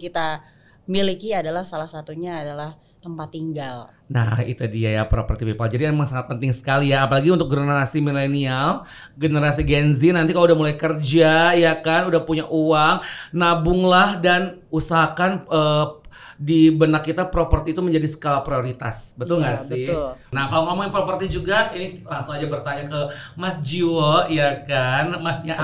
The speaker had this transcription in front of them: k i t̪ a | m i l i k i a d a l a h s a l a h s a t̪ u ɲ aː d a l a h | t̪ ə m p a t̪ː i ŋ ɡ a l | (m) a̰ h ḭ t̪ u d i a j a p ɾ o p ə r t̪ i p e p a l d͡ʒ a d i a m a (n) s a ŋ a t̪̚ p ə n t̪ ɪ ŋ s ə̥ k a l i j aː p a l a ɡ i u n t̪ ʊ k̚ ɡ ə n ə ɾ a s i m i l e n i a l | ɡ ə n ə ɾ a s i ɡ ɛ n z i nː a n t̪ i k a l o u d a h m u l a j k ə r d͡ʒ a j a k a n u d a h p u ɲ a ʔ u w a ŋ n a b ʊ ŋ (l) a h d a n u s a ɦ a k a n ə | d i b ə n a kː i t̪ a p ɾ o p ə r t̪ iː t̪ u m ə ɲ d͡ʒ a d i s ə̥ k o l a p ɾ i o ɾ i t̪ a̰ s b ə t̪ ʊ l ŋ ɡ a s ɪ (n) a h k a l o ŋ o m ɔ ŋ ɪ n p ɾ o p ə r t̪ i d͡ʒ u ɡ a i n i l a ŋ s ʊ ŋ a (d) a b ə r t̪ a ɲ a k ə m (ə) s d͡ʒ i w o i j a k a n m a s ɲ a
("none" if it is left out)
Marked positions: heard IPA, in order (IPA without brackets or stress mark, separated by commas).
n, ŋ, l, n, d͡ʒ, a